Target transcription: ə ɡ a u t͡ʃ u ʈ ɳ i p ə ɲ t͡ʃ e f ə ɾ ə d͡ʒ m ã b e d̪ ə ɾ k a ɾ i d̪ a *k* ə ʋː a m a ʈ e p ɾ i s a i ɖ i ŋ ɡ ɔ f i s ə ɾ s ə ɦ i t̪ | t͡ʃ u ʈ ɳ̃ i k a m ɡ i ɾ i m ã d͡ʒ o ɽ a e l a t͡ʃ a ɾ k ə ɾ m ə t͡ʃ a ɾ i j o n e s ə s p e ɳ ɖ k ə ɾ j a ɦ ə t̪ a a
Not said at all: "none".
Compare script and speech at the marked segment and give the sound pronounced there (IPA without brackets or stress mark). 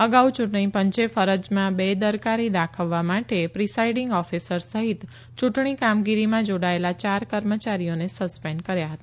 kʰ